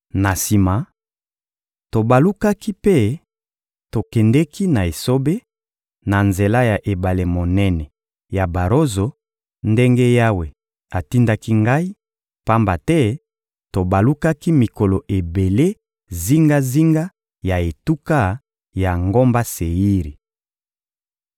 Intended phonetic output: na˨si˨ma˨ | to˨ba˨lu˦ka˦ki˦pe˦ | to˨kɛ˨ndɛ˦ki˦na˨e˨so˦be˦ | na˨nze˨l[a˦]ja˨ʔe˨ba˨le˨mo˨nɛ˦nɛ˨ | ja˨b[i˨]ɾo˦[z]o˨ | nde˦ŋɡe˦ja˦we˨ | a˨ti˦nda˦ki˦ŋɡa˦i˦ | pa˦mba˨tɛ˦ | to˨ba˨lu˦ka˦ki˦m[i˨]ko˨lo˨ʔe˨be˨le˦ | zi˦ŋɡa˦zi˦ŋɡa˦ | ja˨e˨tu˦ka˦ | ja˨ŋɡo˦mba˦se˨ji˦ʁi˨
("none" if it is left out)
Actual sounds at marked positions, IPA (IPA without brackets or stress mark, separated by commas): a˦, a˨, z, i˨